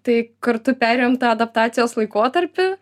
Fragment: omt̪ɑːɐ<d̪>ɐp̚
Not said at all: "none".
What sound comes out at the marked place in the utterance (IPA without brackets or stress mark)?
d̪